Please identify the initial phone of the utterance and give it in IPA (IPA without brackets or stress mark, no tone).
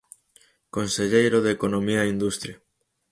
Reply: k